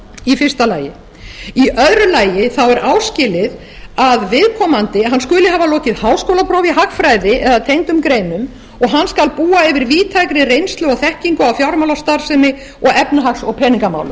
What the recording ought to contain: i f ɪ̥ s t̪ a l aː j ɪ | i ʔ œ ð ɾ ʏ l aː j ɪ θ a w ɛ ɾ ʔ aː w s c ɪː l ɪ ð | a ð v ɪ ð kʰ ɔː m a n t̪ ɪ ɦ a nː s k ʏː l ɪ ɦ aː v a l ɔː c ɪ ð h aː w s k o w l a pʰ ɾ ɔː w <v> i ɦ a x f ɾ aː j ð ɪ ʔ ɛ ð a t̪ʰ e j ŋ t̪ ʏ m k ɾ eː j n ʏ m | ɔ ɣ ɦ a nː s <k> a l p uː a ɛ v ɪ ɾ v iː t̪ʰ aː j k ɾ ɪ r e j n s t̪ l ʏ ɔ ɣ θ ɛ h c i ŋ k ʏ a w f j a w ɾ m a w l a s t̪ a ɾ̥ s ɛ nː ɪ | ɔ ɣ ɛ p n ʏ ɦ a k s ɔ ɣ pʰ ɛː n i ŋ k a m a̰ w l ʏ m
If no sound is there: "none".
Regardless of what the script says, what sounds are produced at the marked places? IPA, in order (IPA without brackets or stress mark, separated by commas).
v, k